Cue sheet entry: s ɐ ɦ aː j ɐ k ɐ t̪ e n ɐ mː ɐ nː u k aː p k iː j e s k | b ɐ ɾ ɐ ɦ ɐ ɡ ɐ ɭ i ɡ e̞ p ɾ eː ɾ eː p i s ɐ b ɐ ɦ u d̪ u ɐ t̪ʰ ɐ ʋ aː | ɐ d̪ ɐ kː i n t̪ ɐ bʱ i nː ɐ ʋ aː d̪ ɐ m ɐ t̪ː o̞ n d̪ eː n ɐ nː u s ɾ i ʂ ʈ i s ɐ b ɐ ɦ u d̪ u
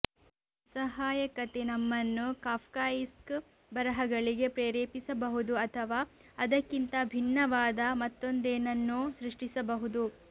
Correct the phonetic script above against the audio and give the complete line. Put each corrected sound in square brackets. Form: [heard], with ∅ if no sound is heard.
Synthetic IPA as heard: s ɐ ɦ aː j ɐ k ɐ t̪ e n ɐ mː ɐ nː u k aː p k [aː] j [i] s k | b ɐ ɾ ɐ ɦ ɐ ɡ ɐ ɭ i ɡ e̞ p ɾ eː ɾ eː p i s ɐ b ɐ ɦ u d̪ u ɐ t̪ʰ ɐ ʋ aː | ɐ d̪ ɐ kː i n t̪ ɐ bʱ i nː ɐ ʋ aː d̪ ɐ m ɐ t̪ː o̞ n d̪ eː n ɐ nː u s ɾ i ʂ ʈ i s ɐ b ɐ ɦ u d̪ u

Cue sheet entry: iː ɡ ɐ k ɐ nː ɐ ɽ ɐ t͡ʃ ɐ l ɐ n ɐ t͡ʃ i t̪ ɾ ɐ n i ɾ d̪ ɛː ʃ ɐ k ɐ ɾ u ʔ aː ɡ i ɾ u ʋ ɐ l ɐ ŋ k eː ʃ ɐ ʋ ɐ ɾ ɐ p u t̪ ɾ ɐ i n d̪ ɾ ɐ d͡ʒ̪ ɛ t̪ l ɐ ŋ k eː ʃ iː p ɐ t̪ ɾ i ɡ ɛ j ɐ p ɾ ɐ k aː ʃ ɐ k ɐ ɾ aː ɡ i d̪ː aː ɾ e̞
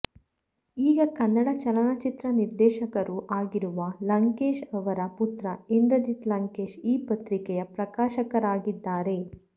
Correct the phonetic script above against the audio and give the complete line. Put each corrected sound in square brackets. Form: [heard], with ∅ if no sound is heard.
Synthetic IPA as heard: iː ɡ ɐ k ɐ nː ɐ ɽ ɐ t͡ʃ ɐ l ɐ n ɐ t͡ʃ i t̪ ɾ ɐ n i ɾ d̪ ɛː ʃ ɐ k ɐ ɾ u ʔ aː ɡ i ɾ u ʋ ɐ l ɐ ŋ k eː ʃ ɐ ʋ ɐ ɾ ɐ p u t̪ ɾ ɐ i n d̪ ɾ ɐ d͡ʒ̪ [i] t̪ l ɐ ŋ k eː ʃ iː p ɐ t̪ ɾ i [k] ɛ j ɐ p ɾ ɐ k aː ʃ ɐ k ɐ ɾ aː ɡ i d̪ː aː ɾ e̞

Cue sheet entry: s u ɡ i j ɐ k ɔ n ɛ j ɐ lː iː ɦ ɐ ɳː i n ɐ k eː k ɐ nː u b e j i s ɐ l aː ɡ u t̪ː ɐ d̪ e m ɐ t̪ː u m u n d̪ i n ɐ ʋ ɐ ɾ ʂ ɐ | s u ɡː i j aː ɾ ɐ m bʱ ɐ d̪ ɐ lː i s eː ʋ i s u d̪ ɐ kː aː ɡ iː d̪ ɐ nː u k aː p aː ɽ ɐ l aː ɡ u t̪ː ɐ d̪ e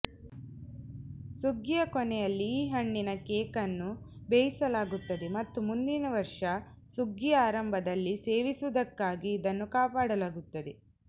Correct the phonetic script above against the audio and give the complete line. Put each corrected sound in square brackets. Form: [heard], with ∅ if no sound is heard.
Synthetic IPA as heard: s u ɡ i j ɐ k ɔ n ɛ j ɐ lː iː ɦ ɐ ɳː i n ɐ k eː k ɐ nː u b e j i s ɐ l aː ɡ u t̪ː ɐ d̪ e m ɐ t̪ː u m u n d̪ i n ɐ ʋ ɐ ɾ ʂ ɐ | s u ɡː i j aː ɾ ɐ m bʱ ɐ d̪ ɐ lː i s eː ʋ i s u d̪ ɐ kː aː ɡ iː d̪ ɐ nː u k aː p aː ɽ ɐ l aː ɡ u t̪ː ɐ d̪ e

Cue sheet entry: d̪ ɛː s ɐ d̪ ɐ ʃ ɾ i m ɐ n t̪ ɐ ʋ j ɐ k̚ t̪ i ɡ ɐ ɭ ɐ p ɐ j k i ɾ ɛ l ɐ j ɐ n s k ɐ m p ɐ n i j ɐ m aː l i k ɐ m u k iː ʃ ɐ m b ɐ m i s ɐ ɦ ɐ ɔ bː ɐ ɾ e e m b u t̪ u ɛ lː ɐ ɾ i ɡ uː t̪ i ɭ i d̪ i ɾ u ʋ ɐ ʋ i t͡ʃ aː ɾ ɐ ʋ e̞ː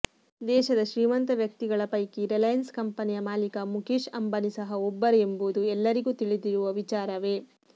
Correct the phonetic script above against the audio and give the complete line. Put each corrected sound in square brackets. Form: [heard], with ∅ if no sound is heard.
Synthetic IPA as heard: d̪ ɛː [ʃ] ɐ d̪ ɐ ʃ ɾ [iː] m ɐ n t̪ ɐ ʋ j ɐ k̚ t̪ i ɡ ɐ ɭ ɐ p ɐ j k i ɾ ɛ l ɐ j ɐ n s k ɐ m p ɐ n i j ɐ m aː l i k ɐ m u k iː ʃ ɐ m b ɐ [n] i s ɐ ɦ ɐ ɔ bː ɐ ɾ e e m b u [d̪] u ɛ lː ɐ ɾ i ɡ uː t̪ i ɭ i d̪ i ɾ u ʋ ɐ ʋ i t͡ʃ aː ɾ ɐ ʋ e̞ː

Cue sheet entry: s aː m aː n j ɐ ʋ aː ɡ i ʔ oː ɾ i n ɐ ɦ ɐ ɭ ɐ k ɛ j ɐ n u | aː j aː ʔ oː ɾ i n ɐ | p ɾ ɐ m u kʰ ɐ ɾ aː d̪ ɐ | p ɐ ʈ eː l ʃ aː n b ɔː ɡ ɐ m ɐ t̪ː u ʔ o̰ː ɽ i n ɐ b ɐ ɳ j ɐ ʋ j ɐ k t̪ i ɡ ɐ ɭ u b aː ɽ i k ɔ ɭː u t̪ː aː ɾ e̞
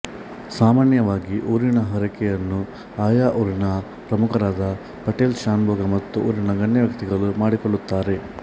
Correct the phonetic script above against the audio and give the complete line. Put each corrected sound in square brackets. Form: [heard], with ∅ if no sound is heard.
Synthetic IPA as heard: s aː m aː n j ɐ ʋ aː ɡ i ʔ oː ɾ i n ɐ ɦ ɐ [ɾ] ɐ k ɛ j ɐ [nː] u | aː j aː ʔ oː ɾ i n ɐ | p ɾ ɐ m u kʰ ɐ ɾ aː d̪ ɐ | p ɐ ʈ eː l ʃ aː n b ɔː ɡ ɐ m ɐ t̪ː u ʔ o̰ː [ɾ] i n ɐ [ɡ] ɐ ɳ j ɐ ʋ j ɐ k t̪ i ɡ ɐ ɭ u [m] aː ɽ i k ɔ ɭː u t̪ː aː ɾ e̞

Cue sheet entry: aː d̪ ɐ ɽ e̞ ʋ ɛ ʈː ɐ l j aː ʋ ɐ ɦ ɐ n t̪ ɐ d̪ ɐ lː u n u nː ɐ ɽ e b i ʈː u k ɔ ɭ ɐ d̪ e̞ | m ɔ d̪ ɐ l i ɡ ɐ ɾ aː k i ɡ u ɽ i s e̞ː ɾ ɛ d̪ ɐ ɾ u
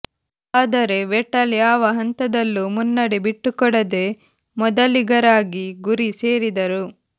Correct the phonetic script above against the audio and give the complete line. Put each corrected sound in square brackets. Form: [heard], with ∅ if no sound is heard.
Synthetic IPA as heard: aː d̪ ɐ [ɾ] e̞ ʋ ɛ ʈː ɐ l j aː ʋ ɐ ɦ ɐ n t̪ ɐ d̪ ɐ lː u [m] u nː ɐ ɽ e b i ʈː u k ɔ [ɽ] ɐ d̪ e̞ | m ɔ d̪ ɐ l i ɡ ɐ ɾ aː [ɡ] i ɡ u [ɾ] i s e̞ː ɾ [i] d̪ ɐ ɾ u

